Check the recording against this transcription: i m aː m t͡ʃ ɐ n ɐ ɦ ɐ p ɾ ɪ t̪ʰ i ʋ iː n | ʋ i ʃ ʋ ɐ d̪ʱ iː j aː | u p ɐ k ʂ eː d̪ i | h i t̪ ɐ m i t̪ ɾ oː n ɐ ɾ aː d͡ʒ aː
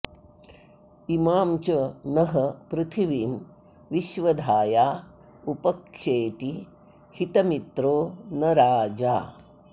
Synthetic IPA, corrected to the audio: i m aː m t͡ʃ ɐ n ɐ ɦ ɐ p ɾ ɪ t̪ʰ i ʋ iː m | ʋ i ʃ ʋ ɐ d̪ʱ aː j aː | u p ɐ k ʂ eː t̪ i | h i t̪ ɐ m i t̪ ɾ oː n ɐ ɾ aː d͡ʒ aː